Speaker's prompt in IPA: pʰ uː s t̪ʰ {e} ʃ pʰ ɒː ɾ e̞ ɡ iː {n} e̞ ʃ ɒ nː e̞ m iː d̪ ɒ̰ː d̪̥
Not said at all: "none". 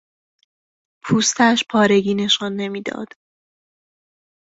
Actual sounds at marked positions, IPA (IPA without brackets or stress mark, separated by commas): æ, n